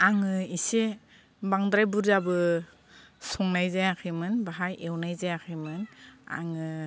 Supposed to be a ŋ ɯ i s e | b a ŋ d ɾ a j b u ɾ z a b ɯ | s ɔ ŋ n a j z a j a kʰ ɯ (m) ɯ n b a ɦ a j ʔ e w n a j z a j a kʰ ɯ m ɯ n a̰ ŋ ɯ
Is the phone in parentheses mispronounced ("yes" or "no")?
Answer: no